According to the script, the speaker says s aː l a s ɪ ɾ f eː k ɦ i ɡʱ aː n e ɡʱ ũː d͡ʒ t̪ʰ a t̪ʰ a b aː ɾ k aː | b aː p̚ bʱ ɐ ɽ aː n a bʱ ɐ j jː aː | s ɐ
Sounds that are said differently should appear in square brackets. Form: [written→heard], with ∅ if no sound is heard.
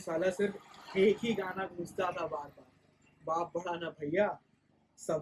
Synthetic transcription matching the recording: s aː l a s ɪ ɾ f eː k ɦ i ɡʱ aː n [e→a] ɡʱ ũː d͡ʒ [t̪ʰ→t̪] a t̪ʰ a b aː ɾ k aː | b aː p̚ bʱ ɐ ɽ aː n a bʱ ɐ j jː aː | s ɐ